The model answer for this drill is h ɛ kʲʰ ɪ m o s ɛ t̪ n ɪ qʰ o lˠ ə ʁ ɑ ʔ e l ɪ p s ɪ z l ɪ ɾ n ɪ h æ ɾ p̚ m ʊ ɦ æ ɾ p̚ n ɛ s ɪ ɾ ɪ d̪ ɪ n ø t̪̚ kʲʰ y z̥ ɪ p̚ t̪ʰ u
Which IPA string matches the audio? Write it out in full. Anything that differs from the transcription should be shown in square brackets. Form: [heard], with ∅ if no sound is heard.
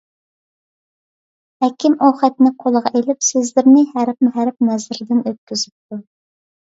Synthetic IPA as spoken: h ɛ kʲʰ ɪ m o [χ] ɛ t̪ n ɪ qʰ o lˠ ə ʁ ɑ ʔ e l ɪ p s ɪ z l ɪ ɾ n ɪ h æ ɾ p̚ m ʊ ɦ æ ɾ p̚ n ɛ [z] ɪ ɾ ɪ d̪ ɪ n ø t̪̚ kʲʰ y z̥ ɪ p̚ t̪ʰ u

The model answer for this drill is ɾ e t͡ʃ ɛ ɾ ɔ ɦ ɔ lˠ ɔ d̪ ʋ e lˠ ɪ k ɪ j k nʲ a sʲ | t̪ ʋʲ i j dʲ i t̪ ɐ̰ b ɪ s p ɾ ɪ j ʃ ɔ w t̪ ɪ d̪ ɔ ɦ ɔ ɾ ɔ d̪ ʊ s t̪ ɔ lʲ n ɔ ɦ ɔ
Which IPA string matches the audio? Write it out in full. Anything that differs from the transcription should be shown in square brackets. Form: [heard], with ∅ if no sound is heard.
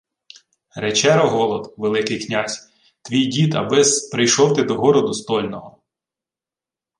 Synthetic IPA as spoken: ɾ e t͡ʃ ɛ ɾ ɔ ɦ ɔ lˠ ɔ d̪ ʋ e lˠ ɪ k ɪ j k nʲ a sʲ | t̪ ʋʲ i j dʲ i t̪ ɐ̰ b ɪ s p ɾ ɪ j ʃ ɔ w t̪ ɪ d̪ ɔ ɦ ɔ ɾ ɔ d̪ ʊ s t̪ ɔ lʲ n ɔ ɦ ɔ

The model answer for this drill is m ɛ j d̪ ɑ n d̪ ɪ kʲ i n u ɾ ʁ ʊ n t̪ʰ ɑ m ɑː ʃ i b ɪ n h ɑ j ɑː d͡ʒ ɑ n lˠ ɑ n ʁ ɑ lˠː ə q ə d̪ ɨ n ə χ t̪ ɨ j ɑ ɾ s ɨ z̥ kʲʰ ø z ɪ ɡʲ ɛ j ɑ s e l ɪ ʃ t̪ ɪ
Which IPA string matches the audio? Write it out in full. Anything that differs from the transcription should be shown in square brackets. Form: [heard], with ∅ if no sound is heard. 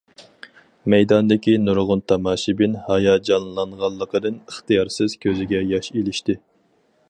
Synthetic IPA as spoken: m ɛ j d̪ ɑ n d̪ ɪ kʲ i n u ɾ ʁ ʊ n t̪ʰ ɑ m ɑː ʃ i b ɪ n h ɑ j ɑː d͡ʒ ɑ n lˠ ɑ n ʁ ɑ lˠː ə q ə d̪ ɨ n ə χ t̪ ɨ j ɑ ɾ s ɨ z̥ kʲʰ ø z ɪ ɡʲ ɛ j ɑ [ʃ] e l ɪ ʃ t̪ ɪ

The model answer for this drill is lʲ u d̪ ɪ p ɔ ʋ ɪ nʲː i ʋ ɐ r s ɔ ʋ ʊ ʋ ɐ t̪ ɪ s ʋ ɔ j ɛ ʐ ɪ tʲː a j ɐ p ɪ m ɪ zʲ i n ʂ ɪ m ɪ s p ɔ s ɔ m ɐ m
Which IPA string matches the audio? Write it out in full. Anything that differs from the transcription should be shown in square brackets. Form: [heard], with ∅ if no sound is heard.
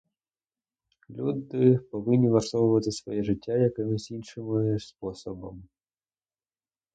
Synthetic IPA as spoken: lʲ u d̪ ɪ p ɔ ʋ ɪ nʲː i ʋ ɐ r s ɔ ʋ ʊ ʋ ɐ t̪ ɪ s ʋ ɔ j ɛ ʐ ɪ tʲː a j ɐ [k] ɪ m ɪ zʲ i n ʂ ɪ m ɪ s p ɔ s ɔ [b] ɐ m

